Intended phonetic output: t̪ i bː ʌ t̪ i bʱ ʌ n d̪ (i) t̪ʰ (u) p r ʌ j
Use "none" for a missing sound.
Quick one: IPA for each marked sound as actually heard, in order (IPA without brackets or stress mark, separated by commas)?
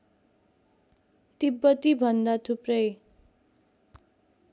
a, u